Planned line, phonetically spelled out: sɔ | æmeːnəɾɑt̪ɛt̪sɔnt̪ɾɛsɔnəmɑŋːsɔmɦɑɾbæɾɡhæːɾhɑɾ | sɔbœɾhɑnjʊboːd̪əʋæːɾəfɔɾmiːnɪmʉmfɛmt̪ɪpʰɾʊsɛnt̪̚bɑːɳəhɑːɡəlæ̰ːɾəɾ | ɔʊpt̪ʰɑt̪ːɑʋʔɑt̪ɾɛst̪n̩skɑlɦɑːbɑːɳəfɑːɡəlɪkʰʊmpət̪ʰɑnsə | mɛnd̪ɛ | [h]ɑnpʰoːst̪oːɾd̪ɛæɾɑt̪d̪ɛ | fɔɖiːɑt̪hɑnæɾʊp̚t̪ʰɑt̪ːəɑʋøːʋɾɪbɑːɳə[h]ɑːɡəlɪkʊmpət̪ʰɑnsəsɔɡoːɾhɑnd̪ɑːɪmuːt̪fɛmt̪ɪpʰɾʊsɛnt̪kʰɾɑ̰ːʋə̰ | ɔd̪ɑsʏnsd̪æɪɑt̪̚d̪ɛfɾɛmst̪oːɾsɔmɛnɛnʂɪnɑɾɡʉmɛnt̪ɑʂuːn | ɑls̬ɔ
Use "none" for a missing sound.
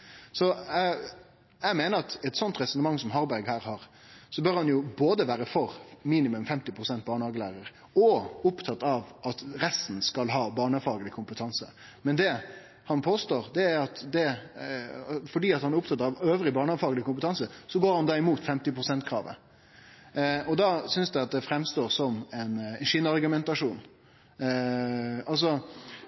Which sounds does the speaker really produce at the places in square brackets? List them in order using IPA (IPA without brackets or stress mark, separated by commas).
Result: h, f